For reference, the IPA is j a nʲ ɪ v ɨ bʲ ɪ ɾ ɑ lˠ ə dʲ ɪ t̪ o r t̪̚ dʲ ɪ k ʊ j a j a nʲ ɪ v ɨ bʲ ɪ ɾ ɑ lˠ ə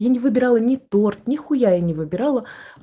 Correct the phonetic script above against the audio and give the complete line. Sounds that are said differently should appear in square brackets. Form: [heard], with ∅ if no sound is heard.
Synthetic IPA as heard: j a nʲ ɪ v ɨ bʲ ɪ ɾ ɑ lˠ ə [nʲ] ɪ t̪ o r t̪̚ [nʲ] ɪ [x] ʊ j a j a nʲ ɪ v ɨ bʲ ɪ ɾ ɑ lˠ ə